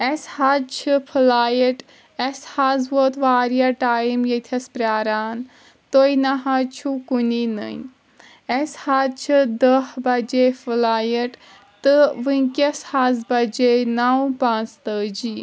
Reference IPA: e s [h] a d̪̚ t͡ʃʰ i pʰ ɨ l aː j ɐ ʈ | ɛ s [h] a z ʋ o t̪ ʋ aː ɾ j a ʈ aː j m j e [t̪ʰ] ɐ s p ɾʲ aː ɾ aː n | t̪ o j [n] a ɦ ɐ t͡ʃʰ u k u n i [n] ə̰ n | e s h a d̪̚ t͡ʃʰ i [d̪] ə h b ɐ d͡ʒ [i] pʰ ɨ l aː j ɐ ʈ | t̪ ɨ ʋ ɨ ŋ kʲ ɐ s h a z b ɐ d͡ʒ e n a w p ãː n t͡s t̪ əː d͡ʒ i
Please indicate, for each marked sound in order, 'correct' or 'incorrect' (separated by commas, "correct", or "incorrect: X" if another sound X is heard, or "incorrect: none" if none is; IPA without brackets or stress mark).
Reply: correct, correct, correct, correct, correct, correct, incorrect: e